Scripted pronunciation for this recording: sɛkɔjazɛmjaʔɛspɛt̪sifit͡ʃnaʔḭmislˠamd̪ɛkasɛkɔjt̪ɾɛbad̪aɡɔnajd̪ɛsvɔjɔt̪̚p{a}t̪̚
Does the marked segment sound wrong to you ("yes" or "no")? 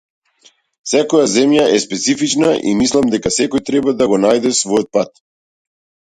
no